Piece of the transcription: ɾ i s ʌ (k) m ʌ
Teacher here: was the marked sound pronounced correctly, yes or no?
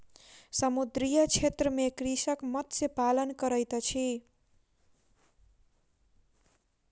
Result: yes